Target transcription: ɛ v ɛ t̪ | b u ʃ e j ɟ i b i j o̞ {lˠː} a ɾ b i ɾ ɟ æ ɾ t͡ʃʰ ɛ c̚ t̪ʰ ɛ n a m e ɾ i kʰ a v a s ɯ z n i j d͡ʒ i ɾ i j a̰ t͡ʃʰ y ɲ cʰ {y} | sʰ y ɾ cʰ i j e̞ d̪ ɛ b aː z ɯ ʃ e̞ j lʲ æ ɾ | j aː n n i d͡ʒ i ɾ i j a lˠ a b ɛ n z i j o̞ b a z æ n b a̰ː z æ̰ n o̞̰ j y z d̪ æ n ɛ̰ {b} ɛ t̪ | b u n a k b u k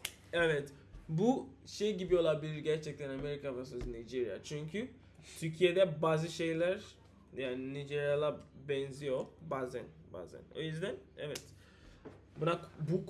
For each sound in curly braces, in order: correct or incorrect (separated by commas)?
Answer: incorrect, correct, incorrect